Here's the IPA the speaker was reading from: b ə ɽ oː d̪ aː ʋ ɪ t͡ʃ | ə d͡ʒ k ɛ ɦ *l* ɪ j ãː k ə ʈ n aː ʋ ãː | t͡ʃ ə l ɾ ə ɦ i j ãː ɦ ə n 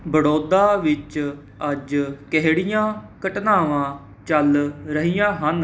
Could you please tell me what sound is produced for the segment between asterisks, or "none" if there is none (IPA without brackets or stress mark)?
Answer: ɽ